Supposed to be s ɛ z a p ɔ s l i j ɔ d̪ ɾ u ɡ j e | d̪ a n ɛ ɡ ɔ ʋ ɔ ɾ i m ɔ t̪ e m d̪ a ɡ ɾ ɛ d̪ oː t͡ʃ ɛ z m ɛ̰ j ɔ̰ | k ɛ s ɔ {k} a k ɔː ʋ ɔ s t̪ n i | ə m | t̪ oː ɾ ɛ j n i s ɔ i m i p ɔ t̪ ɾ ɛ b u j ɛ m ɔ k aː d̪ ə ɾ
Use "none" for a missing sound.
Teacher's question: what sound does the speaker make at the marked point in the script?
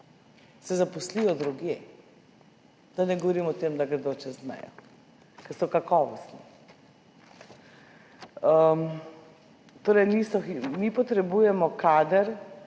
k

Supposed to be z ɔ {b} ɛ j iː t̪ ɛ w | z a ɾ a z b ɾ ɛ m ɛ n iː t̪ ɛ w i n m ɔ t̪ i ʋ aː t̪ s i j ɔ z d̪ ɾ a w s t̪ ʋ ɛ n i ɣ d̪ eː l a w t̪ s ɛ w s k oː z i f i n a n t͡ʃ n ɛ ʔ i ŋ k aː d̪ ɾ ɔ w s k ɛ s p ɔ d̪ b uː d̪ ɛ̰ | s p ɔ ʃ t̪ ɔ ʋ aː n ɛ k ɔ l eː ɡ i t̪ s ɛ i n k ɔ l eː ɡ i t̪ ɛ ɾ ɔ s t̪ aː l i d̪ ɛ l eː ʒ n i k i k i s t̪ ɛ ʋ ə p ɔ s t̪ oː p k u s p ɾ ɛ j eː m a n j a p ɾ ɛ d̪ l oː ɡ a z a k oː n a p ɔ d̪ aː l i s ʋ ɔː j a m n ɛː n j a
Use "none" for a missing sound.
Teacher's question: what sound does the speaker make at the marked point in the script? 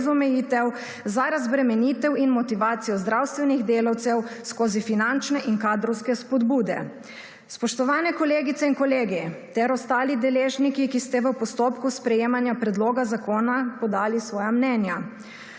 m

